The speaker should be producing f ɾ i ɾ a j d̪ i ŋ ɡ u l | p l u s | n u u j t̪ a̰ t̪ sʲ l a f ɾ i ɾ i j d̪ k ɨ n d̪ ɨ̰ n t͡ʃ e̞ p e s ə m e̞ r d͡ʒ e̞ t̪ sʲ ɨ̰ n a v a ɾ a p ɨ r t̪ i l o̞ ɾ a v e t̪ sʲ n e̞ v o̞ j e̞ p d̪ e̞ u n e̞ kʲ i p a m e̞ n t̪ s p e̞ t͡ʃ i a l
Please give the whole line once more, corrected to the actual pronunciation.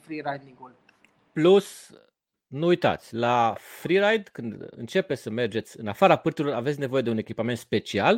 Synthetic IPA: f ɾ i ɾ a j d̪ i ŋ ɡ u l | p l u s | n u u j t̪ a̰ t̪ sʲ l a f ɾ i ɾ a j d̪ k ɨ n d̪ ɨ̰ n t͡ʃ e̞ p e s ə m e̞ r d͡ʒ e̞ t̪ sʲ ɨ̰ n a f a ɾ a p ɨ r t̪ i l o̞ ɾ a v e t̪ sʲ n e̞ v o̞ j e̞ d̪ e̞ u n e̞ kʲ i p a m e̞ n t̪ s p e̞ t͡ʃ i a l